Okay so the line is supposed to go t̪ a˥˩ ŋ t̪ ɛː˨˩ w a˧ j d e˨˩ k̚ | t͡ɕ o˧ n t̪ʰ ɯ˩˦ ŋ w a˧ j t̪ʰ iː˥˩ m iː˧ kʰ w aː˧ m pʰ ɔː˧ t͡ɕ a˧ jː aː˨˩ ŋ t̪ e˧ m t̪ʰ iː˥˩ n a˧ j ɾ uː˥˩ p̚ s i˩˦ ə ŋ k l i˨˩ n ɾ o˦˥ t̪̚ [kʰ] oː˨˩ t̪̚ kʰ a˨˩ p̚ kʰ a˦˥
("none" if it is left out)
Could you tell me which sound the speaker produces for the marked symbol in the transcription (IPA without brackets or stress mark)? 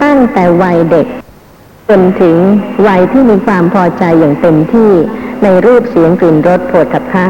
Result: pʰ